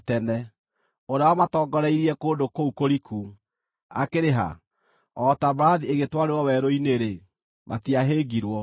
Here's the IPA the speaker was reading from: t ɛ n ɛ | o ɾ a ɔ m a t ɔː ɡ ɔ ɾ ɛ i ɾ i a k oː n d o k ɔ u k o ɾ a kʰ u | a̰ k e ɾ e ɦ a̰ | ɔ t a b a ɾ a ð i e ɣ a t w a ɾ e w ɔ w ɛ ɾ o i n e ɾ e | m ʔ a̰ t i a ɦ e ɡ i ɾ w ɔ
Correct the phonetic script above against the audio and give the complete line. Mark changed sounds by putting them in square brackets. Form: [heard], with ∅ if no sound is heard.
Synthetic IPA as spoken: t ɛ n ɛ | o ɾ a ɔ m a t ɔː ɡ ɔ ɾ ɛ i ɾ i [ɛ] k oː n d o k [o] u k o ɾ [i] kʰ u | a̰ k e ɾ e ɦ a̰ | ɔ t a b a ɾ a ð i e ɣ [e] t w a ɾ e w ɔ w ɛ ɾ o i n e ɾ e | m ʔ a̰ t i a ɦ e ɡ i ɾ w ɔ